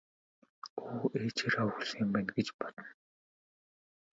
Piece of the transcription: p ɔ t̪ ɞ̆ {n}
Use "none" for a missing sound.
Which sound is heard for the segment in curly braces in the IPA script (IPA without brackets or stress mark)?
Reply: n